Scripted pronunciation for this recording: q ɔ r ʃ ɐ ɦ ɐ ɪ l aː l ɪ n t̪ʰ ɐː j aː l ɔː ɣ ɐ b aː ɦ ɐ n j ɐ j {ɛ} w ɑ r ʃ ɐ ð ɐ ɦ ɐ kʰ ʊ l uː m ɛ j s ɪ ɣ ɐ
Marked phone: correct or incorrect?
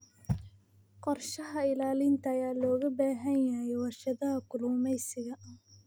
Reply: correct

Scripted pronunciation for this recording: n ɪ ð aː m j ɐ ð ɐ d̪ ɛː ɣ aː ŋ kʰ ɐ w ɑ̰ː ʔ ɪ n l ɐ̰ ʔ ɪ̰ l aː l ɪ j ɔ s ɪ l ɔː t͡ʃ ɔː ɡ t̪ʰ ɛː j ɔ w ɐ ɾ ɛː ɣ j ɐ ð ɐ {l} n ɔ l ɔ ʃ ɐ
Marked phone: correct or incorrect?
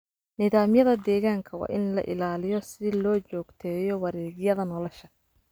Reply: incorrect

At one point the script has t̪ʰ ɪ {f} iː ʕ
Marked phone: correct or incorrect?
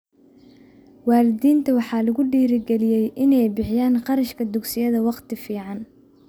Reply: correct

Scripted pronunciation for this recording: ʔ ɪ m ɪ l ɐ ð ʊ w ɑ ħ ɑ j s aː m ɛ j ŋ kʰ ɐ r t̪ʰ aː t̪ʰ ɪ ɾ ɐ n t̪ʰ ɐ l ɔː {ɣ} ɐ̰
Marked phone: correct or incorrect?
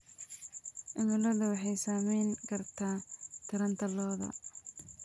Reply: incorrect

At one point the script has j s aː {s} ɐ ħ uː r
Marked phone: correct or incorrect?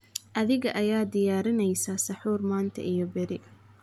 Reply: correct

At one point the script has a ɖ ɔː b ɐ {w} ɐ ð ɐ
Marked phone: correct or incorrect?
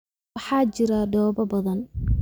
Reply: incorrect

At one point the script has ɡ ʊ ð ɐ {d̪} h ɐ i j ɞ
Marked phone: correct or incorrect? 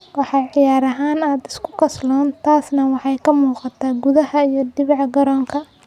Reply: incorrect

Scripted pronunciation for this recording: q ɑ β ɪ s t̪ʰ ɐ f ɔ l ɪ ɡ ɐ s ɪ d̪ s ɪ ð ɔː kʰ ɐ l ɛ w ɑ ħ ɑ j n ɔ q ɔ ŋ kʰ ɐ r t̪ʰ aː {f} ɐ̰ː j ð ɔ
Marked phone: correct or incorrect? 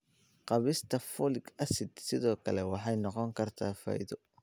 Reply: correct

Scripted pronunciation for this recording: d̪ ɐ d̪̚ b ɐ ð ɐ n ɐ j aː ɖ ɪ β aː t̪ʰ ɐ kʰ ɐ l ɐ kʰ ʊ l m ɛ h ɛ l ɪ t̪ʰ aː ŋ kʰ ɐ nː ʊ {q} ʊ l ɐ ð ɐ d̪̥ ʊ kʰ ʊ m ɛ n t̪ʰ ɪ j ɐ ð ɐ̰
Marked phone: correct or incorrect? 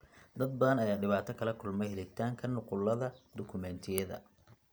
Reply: correct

